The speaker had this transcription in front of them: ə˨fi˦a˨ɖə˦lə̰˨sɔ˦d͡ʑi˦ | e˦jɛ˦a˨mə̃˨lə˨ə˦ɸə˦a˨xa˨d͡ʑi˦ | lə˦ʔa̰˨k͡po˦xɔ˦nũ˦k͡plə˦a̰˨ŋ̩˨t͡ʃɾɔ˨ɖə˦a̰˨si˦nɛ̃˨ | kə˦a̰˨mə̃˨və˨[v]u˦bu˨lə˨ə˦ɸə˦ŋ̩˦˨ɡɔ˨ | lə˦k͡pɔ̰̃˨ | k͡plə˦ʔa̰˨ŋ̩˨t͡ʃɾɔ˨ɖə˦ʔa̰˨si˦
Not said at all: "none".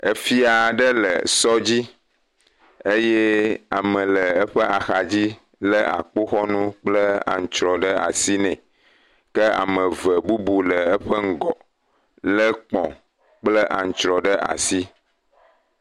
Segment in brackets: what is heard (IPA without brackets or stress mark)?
b